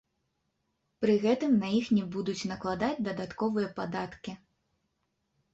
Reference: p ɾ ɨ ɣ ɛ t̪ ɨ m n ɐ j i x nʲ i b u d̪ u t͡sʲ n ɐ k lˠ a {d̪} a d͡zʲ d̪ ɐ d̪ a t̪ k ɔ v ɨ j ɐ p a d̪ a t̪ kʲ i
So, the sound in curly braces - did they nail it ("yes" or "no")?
yes